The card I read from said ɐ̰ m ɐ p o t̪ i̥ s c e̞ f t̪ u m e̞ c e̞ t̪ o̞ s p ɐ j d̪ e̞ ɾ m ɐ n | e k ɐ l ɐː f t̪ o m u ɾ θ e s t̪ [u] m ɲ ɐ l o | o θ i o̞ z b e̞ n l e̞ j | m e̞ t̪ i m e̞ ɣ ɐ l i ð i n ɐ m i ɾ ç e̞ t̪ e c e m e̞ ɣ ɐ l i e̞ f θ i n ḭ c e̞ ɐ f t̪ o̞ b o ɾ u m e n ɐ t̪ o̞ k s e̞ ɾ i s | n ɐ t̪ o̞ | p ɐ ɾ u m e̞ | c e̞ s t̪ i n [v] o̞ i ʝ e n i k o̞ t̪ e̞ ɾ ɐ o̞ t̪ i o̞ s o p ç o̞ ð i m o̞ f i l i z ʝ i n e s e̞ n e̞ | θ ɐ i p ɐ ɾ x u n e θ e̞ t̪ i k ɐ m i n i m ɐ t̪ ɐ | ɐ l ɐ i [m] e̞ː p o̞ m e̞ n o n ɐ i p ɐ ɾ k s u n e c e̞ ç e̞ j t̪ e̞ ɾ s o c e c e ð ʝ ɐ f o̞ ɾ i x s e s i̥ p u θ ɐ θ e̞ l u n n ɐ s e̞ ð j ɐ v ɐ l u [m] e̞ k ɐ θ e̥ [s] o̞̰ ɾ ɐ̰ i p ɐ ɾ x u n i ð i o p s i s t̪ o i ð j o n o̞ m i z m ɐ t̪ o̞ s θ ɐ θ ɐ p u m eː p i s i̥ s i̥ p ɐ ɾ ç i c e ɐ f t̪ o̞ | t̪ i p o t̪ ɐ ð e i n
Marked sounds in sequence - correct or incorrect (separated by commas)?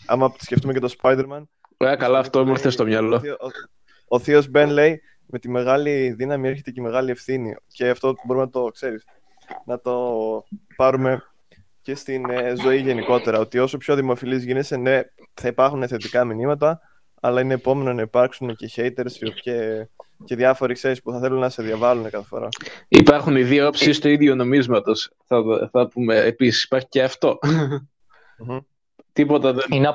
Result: incorrect, incorrect, incorrect, incorrect, incorrect